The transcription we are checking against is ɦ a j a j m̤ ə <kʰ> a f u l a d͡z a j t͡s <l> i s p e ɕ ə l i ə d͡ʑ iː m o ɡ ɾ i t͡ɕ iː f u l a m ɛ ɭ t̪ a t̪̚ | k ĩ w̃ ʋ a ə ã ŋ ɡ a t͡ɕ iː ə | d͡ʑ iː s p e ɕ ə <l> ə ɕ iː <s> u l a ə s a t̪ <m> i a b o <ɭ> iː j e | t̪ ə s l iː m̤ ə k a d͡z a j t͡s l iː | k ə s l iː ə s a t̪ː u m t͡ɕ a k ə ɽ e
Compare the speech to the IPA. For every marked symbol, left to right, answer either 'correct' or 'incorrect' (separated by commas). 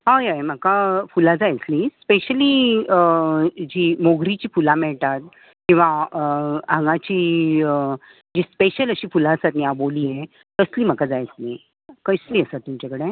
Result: incorrect, correct, correct, incorrect, incorrect, incorrect